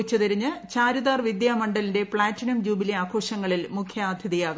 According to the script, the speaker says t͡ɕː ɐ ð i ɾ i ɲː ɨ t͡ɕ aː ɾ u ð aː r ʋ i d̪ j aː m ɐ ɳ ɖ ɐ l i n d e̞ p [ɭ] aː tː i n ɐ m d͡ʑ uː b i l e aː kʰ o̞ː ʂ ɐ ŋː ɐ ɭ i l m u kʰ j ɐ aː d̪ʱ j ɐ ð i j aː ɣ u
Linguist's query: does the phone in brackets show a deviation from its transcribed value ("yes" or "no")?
no